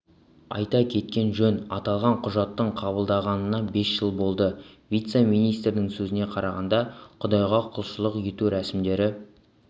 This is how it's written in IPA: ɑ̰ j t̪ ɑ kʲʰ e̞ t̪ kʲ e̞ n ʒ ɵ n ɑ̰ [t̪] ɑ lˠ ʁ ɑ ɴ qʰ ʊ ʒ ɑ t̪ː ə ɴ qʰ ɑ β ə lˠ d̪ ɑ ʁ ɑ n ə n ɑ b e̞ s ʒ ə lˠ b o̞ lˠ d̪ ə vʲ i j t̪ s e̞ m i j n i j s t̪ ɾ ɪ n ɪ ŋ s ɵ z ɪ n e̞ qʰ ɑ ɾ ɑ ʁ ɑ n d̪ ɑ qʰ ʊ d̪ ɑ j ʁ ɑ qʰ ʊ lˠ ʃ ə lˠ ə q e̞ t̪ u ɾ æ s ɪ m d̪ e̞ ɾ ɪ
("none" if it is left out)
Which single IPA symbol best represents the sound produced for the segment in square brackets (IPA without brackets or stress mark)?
t̪